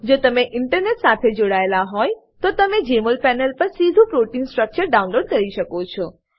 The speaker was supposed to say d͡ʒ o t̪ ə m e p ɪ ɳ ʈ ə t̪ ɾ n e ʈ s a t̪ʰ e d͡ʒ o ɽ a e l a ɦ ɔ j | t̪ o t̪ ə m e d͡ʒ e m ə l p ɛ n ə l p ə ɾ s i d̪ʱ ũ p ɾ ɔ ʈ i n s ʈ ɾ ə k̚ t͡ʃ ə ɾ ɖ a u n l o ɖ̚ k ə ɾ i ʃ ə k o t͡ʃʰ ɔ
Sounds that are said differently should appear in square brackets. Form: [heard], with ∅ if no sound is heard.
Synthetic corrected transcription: d͡ʒ o t̪ ə m e [ʔ] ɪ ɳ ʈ ə [∅] ɾ n e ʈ s a t̪ʰ e d͡ʒ o ɽ a e l a ɦ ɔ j | t̪ o t̪ ə m e d͡ʒ e m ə l p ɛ n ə l p ə ɾ s i d̪ʱ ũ p ɾ [o] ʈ i n s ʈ ɾ ə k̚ t͡ʃ ə ɾ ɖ a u n l o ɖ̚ k ə ɾ i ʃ ə k o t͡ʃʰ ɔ

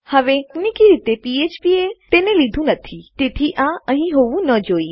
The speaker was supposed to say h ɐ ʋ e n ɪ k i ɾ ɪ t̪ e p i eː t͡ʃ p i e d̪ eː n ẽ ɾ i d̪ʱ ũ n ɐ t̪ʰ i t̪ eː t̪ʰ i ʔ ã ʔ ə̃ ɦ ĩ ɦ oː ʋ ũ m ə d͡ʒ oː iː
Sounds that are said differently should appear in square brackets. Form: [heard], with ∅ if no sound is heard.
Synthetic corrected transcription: h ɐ ʋ e n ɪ k i ɾ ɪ t̪ e p i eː t͡ʃ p i e [t̪] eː n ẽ [l] i d̪ʱ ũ n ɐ t̪ʰ i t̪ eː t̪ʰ i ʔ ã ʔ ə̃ ɦ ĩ ɦ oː ʋ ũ [n] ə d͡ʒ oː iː

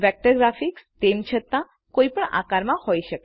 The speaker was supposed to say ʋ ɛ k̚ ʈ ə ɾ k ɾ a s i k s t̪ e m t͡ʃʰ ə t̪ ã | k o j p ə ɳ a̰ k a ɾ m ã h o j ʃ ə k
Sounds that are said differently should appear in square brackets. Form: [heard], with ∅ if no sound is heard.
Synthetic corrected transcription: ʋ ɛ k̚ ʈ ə ɾ [ɡ] ɾ a [f] i k s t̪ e m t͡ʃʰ ə t̪ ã | k o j p ə ɳ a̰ k a ɾ m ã h o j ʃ ə k

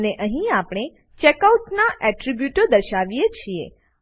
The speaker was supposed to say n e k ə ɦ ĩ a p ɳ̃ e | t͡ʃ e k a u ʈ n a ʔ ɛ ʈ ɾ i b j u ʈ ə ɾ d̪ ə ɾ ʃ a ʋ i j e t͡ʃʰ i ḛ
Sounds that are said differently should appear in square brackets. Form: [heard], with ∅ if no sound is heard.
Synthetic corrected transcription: n e [ʔ] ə ɦ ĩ a p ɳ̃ e | t͡ʃ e k a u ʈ n a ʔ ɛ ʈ ɾ i b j u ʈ ə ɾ d̪ ə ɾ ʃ a ʋ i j e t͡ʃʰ i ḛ

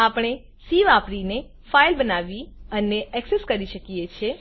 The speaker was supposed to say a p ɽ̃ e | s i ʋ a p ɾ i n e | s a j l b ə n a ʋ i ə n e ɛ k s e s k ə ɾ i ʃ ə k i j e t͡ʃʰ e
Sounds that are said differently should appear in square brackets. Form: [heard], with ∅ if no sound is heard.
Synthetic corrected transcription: a p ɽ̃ e | s i ʋ a p ɾ i n e | [f] a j l b ə n a ʋ i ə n e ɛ k s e s k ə ɾ i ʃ ə k i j e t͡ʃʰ e

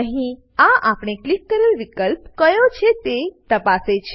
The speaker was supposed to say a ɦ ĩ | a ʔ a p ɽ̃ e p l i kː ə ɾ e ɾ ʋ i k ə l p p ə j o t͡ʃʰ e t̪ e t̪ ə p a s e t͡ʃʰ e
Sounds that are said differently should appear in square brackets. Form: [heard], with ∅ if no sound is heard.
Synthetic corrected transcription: [ə] ɦ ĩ | a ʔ a p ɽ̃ e [k] l i kː ə ɾ e [l] ʋ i k ə l p [k] ə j o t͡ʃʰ e t̪ e t̪ ə p a s e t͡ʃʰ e

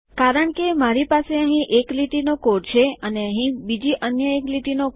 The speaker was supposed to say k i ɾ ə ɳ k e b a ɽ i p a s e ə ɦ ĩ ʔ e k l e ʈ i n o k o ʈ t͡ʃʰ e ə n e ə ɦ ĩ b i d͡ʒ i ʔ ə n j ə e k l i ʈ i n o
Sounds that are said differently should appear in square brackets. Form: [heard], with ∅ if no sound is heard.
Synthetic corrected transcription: k [a] ɾ ə ɳ k e [m] a [ɾ] i p a s e ə ɦ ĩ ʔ e k l [i] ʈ i n o k o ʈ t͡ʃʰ e ə n e ə ɦ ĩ b i d͡ʒ i ʔ ə n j ə e k l i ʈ i n o

